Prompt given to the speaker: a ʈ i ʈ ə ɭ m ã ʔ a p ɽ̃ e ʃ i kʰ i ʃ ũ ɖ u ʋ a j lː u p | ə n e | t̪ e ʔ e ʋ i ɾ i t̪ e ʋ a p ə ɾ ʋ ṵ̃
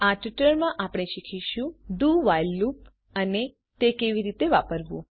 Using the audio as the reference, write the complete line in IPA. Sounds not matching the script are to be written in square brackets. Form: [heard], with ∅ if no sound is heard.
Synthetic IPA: a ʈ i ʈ ə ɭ m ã ʔ a p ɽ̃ e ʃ i kʰ i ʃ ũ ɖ u ʋ a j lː u p | ə n e | t̪ e [k] e ʋ i ɾ i t̪ e ʋ a p ə ɾ ʋ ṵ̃